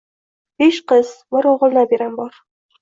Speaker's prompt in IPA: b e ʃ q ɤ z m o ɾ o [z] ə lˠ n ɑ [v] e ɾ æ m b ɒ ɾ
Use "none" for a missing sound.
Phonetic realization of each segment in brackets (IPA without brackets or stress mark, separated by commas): ʁ, b